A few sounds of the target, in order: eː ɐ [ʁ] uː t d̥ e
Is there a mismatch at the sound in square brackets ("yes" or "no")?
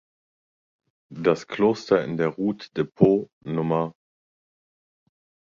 no